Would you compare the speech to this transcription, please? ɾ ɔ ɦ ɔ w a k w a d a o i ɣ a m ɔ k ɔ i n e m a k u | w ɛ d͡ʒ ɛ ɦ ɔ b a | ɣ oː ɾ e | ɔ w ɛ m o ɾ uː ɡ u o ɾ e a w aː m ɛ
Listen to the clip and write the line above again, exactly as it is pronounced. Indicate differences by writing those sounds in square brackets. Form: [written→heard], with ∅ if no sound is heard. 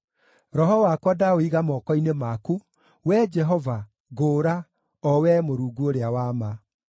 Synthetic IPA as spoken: ɾ ɔ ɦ ɔ w a k w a d a o i ɣ a m ɔ k ɔ i n e m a k u | w ɛ d͡ʒ ɛ ɦ ɔ [b→v] a | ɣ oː ɾ [e→a] | ɔ w ɛ m o ɾ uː ɡ u o ɾ e a w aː m [ɛ→a]